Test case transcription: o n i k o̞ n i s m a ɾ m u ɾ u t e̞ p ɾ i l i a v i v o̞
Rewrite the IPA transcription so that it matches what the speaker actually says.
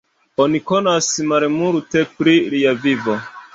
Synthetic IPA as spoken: o n i k o̞ n a s m a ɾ m u ɾ u t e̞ p ɾ i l i a v i v o̞

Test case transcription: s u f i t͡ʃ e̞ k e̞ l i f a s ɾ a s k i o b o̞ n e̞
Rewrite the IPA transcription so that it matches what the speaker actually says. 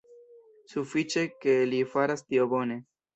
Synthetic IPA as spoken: s u f i t͡ʃ e̞ k e̞ l i f a ɾ a s t i o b o̞ n e̞

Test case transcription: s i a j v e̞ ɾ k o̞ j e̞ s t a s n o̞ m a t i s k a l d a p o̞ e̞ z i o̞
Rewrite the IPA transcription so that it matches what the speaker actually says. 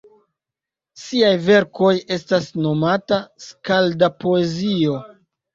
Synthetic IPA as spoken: s i a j v e̞ ɾ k o̞ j e̞ s t a s n o̞ m a t a s k a l d a p o̞ e̞ z i o̞

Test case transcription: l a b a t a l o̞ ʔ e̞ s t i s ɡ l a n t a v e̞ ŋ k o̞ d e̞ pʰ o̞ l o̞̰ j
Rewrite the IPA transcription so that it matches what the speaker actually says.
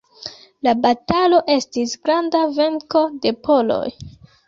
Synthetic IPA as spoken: l a b a t a l o̞ ʔ e̞ s t i s ɡ ɾ a n d a v e̞ ŋ k o̞ d e̞ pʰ o̞ l o̞̰ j

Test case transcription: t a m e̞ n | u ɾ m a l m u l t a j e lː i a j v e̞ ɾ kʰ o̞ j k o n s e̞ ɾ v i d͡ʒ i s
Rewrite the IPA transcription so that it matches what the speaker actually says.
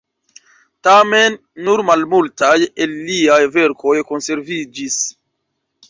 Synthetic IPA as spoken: t a m e̞ nː | u ɾ m a l m u l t a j e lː i a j v e̞ ɾ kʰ o̞ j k o n s e̞ ɾ v i d͡ʒ i s

